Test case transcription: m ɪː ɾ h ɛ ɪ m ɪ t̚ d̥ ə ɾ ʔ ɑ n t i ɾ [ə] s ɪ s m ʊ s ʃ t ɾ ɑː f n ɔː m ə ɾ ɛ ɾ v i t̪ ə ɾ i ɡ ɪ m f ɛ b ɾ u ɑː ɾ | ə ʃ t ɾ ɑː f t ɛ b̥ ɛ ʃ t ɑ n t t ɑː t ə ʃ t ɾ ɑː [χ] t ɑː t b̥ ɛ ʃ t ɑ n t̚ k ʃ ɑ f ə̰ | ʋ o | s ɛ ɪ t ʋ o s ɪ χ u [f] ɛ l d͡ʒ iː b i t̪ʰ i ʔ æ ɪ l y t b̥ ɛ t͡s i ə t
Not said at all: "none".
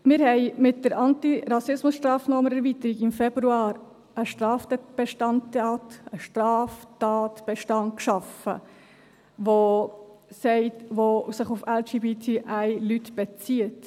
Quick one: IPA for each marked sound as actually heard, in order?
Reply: ɑ, f, f

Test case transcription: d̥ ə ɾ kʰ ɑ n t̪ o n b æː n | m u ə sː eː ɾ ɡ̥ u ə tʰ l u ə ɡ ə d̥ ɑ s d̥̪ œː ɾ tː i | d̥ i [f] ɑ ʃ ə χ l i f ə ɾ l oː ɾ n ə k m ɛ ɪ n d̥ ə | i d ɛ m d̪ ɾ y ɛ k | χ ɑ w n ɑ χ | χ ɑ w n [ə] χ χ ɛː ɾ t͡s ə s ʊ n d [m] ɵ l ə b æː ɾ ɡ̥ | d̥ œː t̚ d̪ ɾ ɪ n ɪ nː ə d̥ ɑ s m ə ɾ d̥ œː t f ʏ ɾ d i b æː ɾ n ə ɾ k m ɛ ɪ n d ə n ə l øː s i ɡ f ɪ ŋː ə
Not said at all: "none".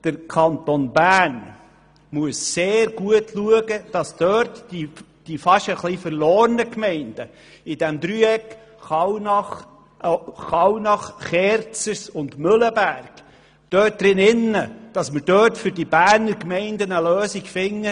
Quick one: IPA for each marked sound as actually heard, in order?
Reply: f, ɑ, m

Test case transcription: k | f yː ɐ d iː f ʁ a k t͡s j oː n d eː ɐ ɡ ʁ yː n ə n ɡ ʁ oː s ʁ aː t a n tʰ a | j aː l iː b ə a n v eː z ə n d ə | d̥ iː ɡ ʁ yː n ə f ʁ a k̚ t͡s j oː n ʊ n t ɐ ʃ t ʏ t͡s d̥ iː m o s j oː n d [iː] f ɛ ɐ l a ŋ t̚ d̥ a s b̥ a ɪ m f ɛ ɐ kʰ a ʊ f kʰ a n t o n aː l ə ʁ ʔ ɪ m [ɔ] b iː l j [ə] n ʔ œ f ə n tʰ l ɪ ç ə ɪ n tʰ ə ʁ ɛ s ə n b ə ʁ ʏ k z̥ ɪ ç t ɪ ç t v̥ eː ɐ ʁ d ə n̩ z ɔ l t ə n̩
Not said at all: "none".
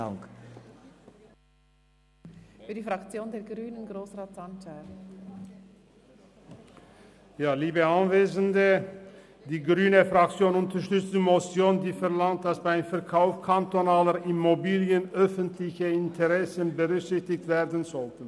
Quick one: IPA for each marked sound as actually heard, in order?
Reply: iː, o, ə

